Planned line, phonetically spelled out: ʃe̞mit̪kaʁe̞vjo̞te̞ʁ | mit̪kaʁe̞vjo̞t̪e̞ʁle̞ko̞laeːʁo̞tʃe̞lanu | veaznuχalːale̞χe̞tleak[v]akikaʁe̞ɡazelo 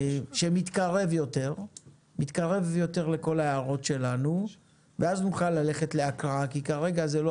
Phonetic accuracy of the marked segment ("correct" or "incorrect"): incorrect